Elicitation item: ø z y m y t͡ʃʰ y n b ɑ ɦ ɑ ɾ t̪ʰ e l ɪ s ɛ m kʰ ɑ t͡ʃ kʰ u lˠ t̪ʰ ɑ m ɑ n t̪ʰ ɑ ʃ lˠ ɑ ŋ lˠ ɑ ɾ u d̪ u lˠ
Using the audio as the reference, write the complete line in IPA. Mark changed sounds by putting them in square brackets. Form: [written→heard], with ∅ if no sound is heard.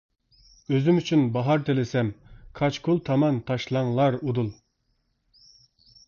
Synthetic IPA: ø z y m y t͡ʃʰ y n b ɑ ɦ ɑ ɾ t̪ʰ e l ɪ s ɛ m kʰ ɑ t͡ʃ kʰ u lˠ t̪ʰ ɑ m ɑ n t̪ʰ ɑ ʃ lˠ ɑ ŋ lˠ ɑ ɾ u d̪ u lˠ